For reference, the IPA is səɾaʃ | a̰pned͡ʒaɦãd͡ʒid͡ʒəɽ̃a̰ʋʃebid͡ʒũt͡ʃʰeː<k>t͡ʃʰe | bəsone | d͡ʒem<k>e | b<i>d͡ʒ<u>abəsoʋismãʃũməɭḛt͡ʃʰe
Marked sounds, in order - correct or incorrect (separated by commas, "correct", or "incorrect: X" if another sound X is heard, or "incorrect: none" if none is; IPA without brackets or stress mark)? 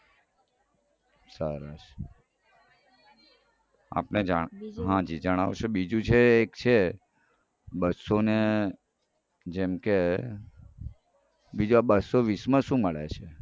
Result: correct, correct, correct, correct